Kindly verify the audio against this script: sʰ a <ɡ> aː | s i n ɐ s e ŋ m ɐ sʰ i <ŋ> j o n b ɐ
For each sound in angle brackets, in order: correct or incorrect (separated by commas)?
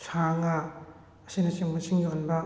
incorrect, correct